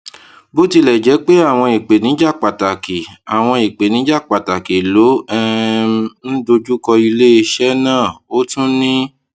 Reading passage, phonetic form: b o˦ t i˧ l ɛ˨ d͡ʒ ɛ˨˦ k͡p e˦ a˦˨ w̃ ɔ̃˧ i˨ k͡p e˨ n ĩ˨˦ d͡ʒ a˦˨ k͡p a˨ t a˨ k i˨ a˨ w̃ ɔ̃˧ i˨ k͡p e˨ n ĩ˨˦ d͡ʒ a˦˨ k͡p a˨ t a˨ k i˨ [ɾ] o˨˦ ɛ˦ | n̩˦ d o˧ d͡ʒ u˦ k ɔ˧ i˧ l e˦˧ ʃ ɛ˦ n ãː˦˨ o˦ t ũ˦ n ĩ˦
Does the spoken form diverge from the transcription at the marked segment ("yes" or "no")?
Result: yes